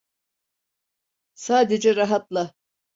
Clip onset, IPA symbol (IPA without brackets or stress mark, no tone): s